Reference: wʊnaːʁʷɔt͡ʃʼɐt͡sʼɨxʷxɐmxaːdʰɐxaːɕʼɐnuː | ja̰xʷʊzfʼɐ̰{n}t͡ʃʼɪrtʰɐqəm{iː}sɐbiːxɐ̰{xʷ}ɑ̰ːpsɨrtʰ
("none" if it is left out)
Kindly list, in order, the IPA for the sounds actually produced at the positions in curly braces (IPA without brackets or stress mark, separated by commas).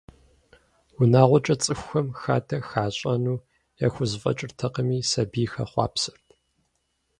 none, iː, χʷ